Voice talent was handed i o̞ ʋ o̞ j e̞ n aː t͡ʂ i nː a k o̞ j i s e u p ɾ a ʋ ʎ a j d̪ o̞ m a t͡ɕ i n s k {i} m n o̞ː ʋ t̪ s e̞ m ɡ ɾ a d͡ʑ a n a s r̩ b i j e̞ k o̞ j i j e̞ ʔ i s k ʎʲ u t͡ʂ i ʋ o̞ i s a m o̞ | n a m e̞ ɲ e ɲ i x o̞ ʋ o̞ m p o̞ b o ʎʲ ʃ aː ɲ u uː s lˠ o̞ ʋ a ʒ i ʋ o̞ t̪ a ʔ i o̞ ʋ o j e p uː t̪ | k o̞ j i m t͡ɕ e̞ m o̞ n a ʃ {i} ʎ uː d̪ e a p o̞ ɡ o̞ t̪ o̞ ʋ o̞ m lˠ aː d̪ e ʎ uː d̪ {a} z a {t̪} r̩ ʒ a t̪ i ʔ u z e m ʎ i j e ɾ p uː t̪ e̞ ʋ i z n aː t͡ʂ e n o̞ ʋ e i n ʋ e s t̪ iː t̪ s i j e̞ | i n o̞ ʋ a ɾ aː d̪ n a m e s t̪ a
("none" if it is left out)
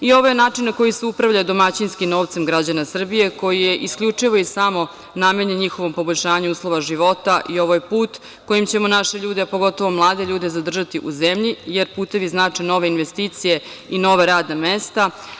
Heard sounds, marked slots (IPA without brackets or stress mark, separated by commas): i, e, e, d̪